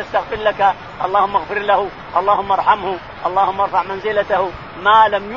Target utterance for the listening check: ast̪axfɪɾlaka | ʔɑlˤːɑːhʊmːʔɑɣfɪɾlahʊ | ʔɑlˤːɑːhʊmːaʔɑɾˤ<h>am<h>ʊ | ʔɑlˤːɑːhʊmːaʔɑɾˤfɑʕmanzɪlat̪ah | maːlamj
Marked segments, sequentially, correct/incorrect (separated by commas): incorrect, correct